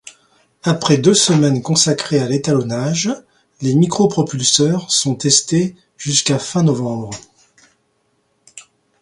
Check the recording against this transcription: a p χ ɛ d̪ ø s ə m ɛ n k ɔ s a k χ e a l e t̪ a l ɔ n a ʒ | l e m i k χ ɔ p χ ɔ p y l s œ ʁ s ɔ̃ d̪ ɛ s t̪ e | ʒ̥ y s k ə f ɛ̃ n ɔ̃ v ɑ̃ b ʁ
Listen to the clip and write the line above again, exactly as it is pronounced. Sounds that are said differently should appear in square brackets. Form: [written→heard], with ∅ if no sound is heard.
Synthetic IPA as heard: a p χ ɛ d̪ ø s ə m ɛ n k [ɔ→ɔ̃] s a k χ e a l e t̪ a l ɔ n a ʒ | l e m i k χ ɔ p χ ɔ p y l s œ ʁ s ɔ̃ [d̪→t̪] ɛ s t̪ e | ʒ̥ y s k [ə→a] f ɛ̃ n [ɔ̃→ɔ] v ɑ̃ b ʁ